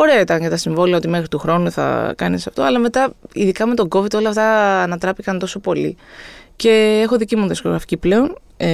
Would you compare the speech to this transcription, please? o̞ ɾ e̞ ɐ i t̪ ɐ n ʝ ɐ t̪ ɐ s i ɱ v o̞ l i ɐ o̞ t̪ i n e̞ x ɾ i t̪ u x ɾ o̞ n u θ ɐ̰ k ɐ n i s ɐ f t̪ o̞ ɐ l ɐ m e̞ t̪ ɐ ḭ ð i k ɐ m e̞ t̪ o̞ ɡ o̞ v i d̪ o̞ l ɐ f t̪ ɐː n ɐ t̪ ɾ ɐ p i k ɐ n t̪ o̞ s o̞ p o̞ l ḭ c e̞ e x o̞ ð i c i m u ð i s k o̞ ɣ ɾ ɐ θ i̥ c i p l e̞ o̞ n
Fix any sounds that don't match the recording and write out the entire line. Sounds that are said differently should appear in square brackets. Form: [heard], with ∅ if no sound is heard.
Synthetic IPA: o̞ ɾ e̞ ɐ i t̪ ɐ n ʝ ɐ t̪ ɐ s i ɱ v o̞ l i ɐ o̞ t̪ i [m] e̞ x ɾ i t̪ u x ɾ o̞ n u θ ɐ̰ k ɐ n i s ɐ f t̪ o̞ ɐ l ɐ m e̞ t̪ ɐ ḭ ð i k ɐ m e̞ t̪ o̞ ɡ o̞ v i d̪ o̞ l ɐ f t̪ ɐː n ɐ t̪ ɾ ɐ p i k ɐ n t̪ o̞ s o̞ p o̞ l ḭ c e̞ e x o̞ ð i c i m u ð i s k o̞ ɣ ɾ ɐ [f] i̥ c i p l e̞ o̞ n